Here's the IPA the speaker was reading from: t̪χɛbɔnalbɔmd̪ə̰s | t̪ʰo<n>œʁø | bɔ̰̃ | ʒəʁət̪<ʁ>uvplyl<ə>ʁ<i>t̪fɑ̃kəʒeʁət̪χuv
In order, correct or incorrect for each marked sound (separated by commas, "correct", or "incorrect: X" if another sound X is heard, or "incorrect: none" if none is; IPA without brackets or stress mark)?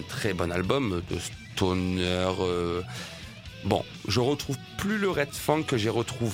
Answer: correct, incorrect: χ, correct, incorrect: ɛ